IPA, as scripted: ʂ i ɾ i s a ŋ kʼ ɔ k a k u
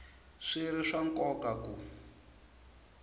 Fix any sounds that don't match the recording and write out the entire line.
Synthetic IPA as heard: ʂ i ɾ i ʂ a ŋ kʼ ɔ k a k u

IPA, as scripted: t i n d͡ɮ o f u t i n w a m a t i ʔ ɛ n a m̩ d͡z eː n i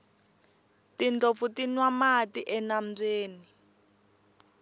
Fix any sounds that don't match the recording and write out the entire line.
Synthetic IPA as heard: t i n d͡ɮ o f u t i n w a m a t i ʔ ɛ n a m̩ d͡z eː n i

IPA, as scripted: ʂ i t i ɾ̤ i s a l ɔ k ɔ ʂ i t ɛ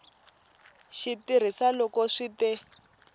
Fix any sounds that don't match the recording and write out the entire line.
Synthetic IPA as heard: ʃ i t i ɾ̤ i s a l ɔ k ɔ ʂ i t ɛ

